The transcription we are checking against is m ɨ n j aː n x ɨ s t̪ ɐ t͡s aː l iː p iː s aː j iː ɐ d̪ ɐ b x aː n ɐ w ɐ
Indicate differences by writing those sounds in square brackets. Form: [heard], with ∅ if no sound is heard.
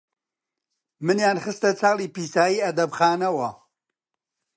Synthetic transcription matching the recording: m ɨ n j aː n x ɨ s t̪ ɐ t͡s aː l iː p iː s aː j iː ɐ d̪ ɐ b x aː n ɐ w ɐ

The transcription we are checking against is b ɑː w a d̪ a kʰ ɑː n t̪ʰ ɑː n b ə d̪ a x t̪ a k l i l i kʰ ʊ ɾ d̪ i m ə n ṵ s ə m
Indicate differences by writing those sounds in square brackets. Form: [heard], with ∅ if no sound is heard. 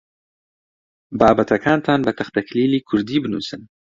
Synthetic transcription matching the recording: b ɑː [b] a [t̪] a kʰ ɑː n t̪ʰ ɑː n b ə [t̪] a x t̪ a k l i l i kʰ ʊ ɾ d̪ i [b] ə n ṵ s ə [n]

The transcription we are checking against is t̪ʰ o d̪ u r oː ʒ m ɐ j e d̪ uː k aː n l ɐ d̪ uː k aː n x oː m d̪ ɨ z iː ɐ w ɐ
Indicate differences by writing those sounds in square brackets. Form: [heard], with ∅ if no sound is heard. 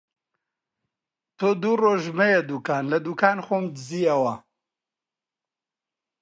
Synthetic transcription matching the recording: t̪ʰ o d̪ u r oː ʒ m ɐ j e d̪ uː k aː n l ɐ d̪ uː k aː n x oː m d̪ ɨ z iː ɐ w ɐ

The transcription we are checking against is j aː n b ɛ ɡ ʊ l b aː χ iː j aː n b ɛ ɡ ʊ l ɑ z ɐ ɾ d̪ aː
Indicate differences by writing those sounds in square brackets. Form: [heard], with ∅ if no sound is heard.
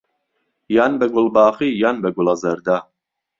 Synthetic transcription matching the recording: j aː n b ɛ ɡ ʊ l b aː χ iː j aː n b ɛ ɡ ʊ l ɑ z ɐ ɾ d̪ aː

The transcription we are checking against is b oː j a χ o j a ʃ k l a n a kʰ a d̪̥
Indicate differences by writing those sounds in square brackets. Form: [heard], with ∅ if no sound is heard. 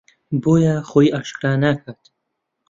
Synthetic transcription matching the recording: b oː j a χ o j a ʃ k [ɾ] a n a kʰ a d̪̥

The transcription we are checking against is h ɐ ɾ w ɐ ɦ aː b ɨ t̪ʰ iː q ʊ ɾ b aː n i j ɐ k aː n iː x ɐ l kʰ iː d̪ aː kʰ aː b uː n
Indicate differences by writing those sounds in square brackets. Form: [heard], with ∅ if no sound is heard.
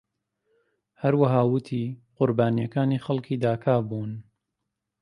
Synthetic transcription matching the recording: h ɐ ɾ w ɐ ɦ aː [w] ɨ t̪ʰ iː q ʊ ɾ b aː n i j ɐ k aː n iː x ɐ l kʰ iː d̪ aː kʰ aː b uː n

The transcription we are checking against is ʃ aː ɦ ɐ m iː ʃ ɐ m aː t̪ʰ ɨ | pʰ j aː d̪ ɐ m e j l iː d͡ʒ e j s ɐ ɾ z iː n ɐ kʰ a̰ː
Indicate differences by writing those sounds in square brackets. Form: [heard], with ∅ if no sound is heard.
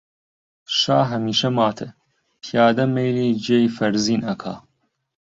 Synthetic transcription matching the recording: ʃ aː ɦ ɐ m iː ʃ ɐ m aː t̪ʰ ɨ | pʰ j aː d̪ ɐ m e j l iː d͡ʒ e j [f] ɐ ɾ z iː n ɐ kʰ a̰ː

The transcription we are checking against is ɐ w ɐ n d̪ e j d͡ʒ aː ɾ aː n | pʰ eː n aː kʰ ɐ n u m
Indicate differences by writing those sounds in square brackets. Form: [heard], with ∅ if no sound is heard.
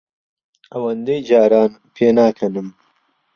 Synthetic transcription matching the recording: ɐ w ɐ n d̪ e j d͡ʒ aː ɾ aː n | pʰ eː n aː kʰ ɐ n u m

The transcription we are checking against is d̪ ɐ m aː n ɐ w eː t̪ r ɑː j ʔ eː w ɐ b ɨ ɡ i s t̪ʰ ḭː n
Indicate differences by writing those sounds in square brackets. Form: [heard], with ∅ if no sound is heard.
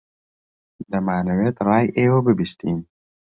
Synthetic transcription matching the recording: d̪ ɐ m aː n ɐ w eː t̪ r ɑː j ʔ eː w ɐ b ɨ [b] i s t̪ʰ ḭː n

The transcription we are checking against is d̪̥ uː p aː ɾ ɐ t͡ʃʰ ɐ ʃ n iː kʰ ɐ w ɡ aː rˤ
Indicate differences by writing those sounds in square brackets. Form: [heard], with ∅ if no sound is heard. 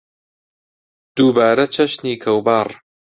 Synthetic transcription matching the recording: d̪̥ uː [b] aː ɾ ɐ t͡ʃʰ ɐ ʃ n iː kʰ ɐ w [b] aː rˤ

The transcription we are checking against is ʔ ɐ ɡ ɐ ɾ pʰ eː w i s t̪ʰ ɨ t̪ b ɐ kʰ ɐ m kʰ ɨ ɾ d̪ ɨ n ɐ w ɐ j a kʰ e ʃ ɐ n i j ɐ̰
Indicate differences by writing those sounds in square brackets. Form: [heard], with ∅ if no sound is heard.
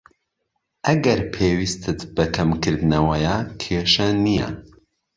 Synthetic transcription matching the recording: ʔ ɐ ɡ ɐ ɾ pʰ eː w i s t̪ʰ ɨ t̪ b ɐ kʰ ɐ m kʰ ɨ ɾ d̪ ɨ n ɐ w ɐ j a kʰ e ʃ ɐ n i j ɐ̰

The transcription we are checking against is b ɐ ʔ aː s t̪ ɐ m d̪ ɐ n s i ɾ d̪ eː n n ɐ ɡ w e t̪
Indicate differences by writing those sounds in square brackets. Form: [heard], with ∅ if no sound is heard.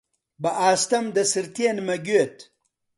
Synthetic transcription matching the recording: b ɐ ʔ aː s t̪ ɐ m d̪ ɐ [∅] s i ɾ [t̪] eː n [m] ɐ ɡ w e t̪

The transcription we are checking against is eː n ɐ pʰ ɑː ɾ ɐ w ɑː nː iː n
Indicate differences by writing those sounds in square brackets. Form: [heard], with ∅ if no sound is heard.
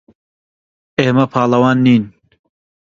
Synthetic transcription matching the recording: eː [m] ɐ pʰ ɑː [l] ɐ w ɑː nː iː n

